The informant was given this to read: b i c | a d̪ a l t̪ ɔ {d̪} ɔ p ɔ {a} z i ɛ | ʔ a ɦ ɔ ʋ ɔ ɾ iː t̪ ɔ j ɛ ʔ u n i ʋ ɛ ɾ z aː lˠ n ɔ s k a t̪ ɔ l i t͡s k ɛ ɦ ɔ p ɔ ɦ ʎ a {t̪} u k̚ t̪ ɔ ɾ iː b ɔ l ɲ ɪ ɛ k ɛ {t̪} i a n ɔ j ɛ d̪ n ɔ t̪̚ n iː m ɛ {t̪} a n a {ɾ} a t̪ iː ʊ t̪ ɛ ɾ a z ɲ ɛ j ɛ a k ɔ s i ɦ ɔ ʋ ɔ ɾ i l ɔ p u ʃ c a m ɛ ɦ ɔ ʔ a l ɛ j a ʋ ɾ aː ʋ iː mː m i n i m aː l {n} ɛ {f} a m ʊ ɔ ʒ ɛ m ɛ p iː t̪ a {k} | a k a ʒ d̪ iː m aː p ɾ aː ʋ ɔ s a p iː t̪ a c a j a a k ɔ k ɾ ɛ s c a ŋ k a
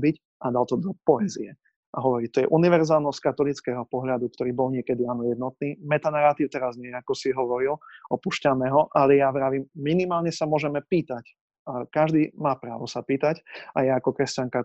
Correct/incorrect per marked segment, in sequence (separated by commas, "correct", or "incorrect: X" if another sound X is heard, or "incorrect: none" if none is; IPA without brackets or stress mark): correct, incorrect: ɛ, incorrect: d̪, incorrect: d̪, correct, correct, incorrect: ɲ, incorrect: s, incorrect: c